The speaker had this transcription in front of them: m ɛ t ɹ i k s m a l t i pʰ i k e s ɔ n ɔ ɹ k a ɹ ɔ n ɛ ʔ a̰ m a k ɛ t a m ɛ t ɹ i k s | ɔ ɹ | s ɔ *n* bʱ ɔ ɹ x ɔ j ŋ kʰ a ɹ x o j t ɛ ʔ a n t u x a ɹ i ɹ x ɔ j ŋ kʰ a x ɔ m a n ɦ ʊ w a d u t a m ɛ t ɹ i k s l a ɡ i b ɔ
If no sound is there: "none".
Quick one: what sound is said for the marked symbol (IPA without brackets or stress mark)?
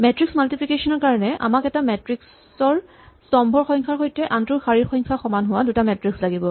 m